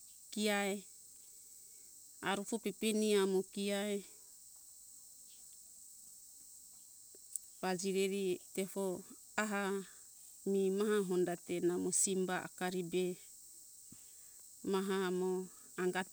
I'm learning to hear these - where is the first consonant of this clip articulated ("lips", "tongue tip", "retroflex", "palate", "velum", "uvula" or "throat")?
velum